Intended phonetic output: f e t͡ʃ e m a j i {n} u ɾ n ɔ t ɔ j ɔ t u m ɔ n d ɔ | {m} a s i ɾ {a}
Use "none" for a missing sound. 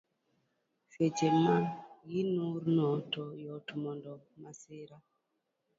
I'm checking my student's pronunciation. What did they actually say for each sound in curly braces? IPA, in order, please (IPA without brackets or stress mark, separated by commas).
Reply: n, m, a